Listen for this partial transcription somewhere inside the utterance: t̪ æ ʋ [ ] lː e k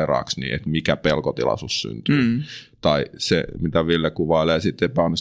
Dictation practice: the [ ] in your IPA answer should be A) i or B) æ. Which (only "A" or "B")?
A